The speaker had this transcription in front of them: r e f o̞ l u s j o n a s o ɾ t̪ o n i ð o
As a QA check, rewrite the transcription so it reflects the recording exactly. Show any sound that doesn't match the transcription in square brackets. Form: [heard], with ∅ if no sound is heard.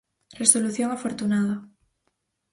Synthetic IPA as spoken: r e [s] o̞ l u [θ] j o [ŋ] a [f] o ɾ t̪ [u] n [a] ð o